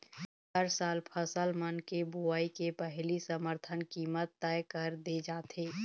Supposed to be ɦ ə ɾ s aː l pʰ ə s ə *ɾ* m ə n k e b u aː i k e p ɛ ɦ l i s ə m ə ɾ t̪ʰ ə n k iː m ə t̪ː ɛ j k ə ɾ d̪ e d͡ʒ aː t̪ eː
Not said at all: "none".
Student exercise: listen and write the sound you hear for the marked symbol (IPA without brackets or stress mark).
l